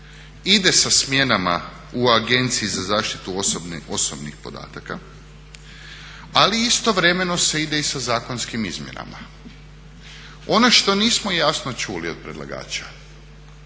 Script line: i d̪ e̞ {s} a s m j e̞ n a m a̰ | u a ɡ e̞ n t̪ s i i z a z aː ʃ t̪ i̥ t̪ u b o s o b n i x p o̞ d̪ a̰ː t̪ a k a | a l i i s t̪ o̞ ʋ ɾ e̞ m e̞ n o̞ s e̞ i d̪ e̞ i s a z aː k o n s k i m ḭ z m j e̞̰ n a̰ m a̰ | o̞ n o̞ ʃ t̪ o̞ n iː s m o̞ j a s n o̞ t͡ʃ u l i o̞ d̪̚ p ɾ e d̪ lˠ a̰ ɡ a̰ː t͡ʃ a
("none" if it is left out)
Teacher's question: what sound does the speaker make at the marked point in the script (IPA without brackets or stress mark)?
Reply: s